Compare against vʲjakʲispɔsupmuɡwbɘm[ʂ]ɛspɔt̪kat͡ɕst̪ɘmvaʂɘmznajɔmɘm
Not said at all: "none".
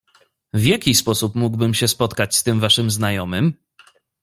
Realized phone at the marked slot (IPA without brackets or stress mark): ɕ